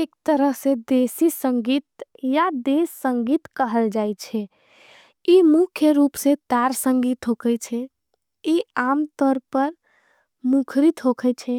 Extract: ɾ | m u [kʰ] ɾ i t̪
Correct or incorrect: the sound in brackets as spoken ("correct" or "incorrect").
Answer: correct